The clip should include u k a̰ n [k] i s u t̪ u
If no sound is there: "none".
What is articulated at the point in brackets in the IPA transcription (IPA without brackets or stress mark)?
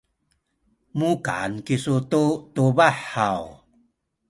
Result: k